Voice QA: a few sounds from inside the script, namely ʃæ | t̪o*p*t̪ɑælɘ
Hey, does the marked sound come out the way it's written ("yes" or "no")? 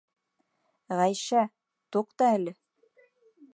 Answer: no